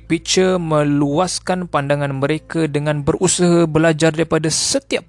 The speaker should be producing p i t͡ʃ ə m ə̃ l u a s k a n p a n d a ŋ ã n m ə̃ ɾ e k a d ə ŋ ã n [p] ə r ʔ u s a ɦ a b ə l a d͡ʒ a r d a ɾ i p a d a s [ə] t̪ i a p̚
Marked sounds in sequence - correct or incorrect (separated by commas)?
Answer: incorrect, correct